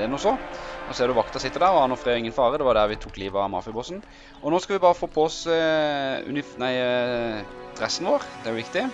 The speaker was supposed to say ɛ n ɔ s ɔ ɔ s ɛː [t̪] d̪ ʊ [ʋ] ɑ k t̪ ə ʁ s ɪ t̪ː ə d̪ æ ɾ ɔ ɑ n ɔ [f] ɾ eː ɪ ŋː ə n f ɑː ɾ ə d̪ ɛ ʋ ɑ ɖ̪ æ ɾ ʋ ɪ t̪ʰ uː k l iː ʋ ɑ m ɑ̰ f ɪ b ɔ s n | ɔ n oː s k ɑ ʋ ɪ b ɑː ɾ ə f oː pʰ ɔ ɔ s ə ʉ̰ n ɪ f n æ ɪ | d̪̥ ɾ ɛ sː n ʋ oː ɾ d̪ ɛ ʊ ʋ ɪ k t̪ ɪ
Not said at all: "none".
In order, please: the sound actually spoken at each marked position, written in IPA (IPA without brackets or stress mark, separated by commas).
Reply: none, ʋ, f